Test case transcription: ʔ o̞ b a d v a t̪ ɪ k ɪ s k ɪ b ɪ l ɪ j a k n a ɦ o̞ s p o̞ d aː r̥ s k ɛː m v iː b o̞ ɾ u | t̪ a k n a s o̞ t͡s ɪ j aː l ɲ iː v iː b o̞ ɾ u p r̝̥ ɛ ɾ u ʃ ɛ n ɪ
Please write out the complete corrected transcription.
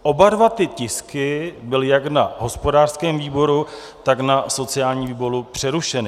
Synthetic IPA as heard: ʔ o̞ b a d v a t̪ ɪ c ɪ s k ɪ b ɪ l ɪ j a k n a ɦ o̞ s p o̞ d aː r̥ s k ɛː m v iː b o̞ ɾ u | t̪ a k n a s o̞ t͡s ɪ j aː l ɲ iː v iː b o̞ ɾ u p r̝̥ ɛ ɾ u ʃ ɛ n ɪ